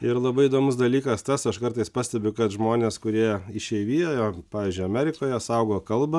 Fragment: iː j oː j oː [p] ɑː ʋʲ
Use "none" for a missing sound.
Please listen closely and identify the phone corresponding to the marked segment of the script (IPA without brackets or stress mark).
p